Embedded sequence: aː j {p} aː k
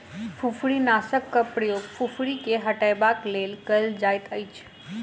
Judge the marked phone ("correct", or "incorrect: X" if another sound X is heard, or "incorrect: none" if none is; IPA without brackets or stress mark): incorrect: b